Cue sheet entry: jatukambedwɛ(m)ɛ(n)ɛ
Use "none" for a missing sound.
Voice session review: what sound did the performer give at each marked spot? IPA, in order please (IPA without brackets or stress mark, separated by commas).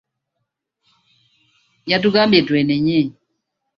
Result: n, ɲ